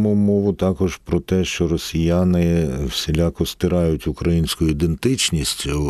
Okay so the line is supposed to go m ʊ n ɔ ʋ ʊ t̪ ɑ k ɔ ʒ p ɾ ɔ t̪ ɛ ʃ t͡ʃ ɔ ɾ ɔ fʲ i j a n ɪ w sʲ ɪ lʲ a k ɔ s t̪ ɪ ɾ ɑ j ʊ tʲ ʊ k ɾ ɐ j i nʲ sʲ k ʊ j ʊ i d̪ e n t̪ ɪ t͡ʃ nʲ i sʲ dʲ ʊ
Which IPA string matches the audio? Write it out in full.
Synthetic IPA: m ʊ m ɔ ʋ ʊ t̪ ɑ k ɔ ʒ p ɾ ɔ t̪ ɛ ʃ t͡ʃ ɔ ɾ ɔ sʲ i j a n ɪ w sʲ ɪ lʲ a k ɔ s t̪ ɪ ɾ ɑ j ʊ tʲ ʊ k ɾ ɐ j i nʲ sʲ k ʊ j ʊ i d̪ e n t̪ ɪ t͡ʃ nʲ i sʲ tʲ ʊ